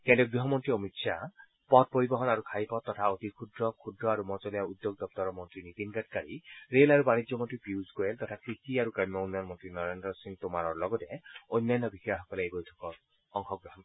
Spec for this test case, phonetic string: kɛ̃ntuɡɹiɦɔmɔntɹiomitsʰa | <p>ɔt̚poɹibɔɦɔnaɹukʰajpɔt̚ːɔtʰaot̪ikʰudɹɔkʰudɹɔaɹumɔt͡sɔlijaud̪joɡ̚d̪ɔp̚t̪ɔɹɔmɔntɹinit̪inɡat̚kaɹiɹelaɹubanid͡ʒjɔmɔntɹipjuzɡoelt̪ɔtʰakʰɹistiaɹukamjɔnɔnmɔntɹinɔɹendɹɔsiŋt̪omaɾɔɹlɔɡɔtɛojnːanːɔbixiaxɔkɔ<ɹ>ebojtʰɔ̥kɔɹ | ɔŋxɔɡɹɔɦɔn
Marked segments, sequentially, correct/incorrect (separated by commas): correct, incorrect